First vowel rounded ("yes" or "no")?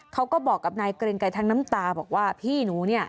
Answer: no